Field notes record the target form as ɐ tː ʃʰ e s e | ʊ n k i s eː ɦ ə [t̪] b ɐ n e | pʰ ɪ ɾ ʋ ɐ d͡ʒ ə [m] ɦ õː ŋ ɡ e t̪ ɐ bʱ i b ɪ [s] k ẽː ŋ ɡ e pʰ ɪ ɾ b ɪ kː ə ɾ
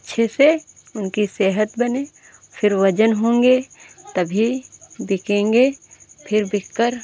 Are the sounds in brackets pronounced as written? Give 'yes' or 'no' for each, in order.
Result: yes, no, no

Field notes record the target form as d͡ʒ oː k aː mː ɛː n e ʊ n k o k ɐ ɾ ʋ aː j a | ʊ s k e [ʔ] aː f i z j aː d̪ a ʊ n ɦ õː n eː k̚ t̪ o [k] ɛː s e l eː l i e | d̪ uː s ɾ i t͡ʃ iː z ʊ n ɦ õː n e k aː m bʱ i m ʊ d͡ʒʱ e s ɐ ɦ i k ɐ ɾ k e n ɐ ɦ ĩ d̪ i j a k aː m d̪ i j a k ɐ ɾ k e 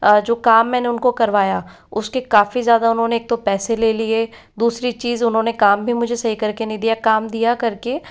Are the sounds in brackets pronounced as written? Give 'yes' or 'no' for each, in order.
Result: no, no

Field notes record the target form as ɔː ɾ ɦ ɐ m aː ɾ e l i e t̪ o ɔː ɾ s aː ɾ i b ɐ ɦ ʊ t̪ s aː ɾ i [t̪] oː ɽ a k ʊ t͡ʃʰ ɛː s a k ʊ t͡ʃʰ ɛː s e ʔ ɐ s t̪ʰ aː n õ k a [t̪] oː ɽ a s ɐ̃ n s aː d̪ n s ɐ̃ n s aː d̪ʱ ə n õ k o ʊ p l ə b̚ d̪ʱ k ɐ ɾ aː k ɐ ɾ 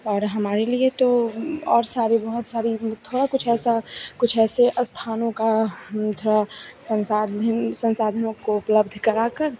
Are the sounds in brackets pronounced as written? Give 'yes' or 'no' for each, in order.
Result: no, no

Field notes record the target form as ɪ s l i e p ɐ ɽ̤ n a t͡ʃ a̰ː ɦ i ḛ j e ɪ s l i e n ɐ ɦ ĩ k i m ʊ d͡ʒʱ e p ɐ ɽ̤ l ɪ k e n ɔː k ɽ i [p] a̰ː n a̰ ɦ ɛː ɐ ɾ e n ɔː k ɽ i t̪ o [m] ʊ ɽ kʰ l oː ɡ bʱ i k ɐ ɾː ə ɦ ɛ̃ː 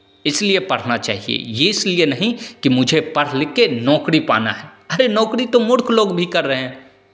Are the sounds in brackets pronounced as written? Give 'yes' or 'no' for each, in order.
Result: yes, yes

